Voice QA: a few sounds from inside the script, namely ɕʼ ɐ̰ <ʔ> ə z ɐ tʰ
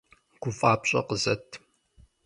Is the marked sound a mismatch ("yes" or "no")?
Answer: yes